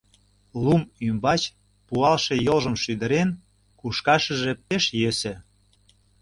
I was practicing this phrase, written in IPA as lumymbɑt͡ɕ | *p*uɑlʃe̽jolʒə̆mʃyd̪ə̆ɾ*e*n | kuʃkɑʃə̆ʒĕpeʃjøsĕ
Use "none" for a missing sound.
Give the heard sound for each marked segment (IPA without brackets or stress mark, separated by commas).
p, e